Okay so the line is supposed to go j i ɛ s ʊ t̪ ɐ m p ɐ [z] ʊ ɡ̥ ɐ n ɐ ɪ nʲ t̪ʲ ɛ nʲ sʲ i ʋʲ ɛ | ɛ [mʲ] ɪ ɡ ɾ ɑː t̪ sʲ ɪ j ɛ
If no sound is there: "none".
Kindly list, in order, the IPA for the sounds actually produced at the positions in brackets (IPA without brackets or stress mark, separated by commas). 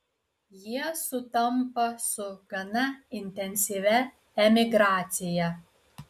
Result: s, mʲ